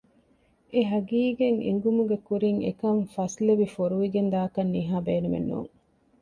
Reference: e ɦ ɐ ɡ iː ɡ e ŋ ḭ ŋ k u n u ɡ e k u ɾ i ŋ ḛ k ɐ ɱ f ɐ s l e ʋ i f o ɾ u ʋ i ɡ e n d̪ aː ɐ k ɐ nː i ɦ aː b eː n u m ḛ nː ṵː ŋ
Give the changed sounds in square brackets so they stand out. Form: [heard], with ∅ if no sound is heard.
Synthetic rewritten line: e ɦ ɐ ɡ iː ɡ e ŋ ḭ ŋ [ɡ] u [m] u ɡ e k u ɾ i ŋ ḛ k ɐ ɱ f ɐ s l e ʋ i f o ɾ u ʋ i ɡ e n d̪ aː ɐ k ɐ nː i ɦ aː b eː n u m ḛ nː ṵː ŋ

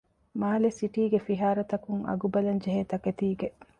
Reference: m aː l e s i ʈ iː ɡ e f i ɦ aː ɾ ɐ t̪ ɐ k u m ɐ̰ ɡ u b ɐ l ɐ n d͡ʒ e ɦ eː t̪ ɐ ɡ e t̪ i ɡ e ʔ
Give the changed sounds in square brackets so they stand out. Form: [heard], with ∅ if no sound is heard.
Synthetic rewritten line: m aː l e s i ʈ iː ɡ e f i ɦ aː ɾ ɐ t̪ ɐ k u [ŋ] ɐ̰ ɡ u b ɐ l ɐ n d͡ʒ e ɦ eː t̪ ɐ [k] e t̪ [iː] ɡ e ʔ

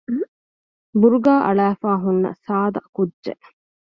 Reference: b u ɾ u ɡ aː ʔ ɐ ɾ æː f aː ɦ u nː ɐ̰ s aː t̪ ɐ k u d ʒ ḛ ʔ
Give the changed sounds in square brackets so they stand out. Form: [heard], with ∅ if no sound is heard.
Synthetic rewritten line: b u ɾ u ɡ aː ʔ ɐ [ɭ] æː f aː ɦ u nː ɐ̰ s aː [d̪] ɐ k u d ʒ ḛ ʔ

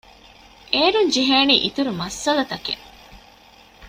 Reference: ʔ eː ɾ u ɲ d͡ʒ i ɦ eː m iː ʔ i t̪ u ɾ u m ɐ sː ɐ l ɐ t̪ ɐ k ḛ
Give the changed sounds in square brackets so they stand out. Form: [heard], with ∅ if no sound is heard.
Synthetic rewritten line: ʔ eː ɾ u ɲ d͡ʒ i ɦ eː [n] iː ʔ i t̪ u ɾ u m ɐ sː ɐ l ɐ t̪ ɐ k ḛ

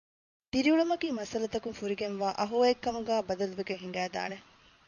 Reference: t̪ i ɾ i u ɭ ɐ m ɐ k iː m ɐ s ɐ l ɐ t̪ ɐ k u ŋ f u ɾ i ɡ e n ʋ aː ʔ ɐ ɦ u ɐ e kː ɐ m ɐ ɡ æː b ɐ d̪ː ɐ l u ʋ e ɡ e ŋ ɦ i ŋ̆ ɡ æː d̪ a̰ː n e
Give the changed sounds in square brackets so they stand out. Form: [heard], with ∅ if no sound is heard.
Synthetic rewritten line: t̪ i ɾ i u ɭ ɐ m ɐ k iː m ɐ s ɐ l ɐ t̪ ɐ k u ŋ f u ɾ i ɡ e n ʋ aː ʔ ɐ ɦ u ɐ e kː ɐ m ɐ ɡ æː b ɐ [d̪] ɐ l u ʋ e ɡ e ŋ ɦ i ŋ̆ ɡ æː d̪ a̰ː n e

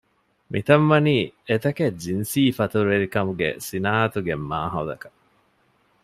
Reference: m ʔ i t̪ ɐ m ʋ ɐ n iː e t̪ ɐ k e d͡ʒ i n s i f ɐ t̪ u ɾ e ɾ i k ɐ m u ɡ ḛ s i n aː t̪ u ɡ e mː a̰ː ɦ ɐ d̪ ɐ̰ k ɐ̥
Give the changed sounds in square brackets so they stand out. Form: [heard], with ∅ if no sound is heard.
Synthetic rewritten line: m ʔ i t̪ ɐ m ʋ ɐ n iː e t̪ ɐ k e d͡ʒ i n s [iː] f ɐ t̪ u ɾ e ɾ i k ɐ m u ɡ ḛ s i n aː t̪ u ɡ e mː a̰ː ɦ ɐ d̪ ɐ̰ k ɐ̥

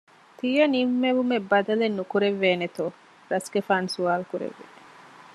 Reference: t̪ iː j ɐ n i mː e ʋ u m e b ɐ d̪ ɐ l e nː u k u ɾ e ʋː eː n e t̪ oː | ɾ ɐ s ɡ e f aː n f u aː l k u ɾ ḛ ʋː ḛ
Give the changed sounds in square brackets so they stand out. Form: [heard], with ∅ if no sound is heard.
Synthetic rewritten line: t̪ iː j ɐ n i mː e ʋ u m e b ɐ d̪ ɐ l e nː u k u ɾ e ʋː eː n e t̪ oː | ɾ ɐ s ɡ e f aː n [s] u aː l k u ɾ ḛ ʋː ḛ

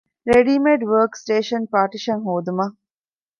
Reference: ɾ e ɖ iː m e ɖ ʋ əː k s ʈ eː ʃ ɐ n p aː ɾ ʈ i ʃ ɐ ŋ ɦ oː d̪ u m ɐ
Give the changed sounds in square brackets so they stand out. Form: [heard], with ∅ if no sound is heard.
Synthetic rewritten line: ɾ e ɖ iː m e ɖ ʋ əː k s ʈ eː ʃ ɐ n p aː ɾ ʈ i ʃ ɐ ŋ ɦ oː d̪ u m ɐ

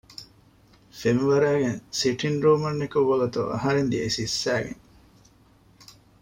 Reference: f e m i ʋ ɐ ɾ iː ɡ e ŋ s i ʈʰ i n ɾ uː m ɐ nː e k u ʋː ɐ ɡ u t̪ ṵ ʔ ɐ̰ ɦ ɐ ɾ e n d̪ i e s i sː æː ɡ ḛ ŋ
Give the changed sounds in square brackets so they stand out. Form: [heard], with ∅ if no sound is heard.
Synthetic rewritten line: f e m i ʋ ɐ ɾ [æː] ɡ e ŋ s i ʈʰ i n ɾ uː m ɐ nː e k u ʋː ɐ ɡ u t̪ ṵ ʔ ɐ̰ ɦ ɐ ɾ e n d̪ i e s i sː æː ɡ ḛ ŋ

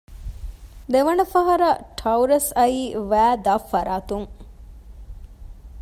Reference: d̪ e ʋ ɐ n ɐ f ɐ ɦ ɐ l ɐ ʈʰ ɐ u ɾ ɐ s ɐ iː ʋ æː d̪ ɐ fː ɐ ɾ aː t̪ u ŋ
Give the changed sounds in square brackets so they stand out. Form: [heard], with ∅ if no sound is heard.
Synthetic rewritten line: d̪ e ʋ ɐ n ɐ f ɐ ɦ ɐ [ɾ] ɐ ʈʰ ɐ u ɾ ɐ s ɐ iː ʋ æː d̪ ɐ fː ɐ ɾ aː t̪ u ŋ

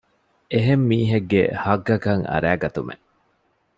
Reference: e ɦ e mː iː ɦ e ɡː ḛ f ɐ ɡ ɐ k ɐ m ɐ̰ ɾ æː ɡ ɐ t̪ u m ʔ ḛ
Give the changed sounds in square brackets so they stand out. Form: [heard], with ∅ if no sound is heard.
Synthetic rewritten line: e ɦ e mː iː ɦ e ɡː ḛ [h] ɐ ɡ ɐ k ɐ [ŋ] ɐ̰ ɾ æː ɡ ɐ t̪ u m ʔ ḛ

